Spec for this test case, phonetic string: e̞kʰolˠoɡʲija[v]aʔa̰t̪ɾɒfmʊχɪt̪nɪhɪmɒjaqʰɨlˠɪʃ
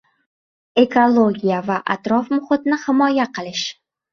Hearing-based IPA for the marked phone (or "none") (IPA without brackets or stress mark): v